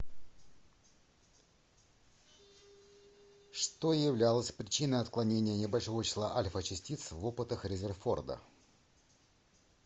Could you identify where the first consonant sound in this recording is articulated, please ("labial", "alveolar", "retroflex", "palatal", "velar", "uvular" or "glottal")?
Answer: retroflex